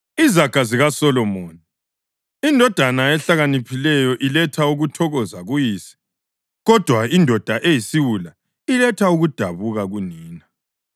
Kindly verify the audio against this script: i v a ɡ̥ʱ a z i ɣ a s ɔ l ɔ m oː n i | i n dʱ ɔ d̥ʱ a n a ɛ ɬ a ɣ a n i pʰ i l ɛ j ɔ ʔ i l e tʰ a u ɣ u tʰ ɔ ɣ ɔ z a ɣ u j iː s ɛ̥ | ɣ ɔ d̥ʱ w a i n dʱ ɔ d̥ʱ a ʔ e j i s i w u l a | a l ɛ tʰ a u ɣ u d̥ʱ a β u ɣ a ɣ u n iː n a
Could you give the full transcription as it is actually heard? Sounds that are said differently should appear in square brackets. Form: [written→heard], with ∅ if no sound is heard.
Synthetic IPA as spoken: i [v→z] a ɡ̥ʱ a z i ɣ a s ɔ l ɔ m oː n i | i n dʱ ɔ d̥ʱ a n a ɛ ɬ a ɣ a n i pʰ i l ɛ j ɔ ʔ i l [e→ɛ] tʰ a u ɣ u tʰ ɔ ɣ ɔ z a ɣ u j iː s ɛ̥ | ɣ ɔ d̥ʱ w a i n dʱ ɔ d̥ʱ a ʔ e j i s i w u l a | [a→i] l ɛ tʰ a u ɣ u d̥ʱ a β u ɣ a ɣ u n iː n a